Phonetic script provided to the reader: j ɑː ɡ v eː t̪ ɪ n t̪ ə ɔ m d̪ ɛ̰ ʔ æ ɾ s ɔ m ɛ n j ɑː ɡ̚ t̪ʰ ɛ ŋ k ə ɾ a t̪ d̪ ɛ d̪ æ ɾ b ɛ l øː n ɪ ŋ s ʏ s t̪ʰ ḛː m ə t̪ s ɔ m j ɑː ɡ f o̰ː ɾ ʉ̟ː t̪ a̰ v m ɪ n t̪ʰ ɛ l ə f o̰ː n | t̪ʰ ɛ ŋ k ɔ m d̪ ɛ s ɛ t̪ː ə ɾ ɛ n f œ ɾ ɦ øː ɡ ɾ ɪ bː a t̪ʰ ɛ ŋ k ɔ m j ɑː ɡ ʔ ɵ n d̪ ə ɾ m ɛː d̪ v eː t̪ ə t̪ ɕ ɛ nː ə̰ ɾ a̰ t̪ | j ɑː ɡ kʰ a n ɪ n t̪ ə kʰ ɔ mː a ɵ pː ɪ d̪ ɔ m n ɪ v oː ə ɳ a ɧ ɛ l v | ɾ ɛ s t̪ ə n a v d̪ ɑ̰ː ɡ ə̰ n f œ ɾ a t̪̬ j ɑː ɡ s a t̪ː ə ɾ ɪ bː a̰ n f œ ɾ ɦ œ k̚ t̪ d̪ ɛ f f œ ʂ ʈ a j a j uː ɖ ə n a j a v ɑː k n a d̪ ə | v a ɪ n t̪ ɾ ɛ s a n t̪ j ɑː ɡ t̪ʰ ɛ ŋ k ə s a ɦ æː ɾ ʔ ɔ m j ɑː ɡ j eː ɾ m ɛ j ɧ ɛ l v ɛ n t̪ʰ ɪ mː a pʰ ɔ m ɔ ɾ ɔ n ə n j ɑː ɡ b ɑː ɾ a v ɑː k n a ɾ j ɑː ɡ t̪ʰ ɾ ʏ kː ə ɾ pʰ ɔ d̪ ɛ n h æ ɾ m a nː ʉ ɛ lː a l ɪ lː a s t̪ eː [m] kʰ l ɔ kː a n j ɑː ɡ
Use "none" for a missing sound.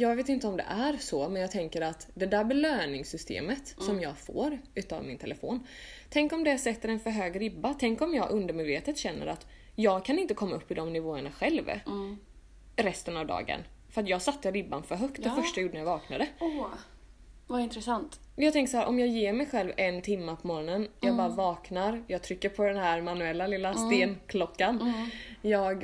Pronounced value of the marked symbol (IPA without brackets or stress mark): n